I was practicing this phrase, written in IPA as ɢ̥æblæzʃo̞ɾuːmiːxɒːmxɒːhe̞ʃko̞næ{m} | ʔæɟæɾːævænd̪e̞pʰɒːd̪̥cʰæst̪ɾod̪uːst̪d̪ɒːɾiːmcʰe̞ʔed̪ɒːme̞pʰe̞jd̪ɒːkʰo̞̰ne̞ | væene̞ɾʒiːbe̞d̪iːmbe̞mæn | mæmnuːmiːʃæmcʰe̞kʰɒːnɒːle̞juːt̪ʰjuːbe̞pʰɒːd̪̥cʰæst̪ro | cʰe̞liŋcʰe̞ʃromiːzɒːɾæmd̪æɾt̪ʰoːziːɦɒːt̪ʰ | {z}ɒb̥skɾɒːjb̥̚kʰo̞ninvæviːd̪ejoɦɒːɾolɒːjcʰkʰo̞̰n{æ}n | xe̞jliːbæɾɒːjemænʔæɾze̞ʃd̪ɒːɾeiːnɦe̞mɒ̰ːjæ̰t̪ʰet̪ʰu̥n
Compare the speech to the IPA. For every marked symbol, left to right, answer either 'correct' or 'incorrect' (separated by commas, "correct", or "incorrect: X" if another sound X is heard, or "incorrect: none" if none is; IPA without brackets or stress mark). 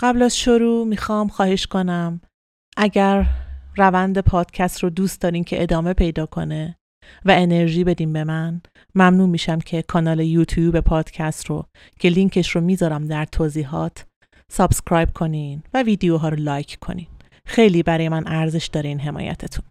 correct, incorrect: s, incorrect: i